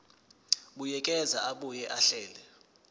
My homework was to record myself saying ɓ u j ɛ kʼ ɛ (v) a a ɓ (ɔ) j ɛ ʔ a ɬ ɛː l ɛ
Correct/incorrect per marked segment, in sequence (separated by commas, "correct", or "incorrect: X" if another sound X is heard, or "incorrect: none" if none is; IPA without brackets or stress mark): incorrect: z, incorrect: u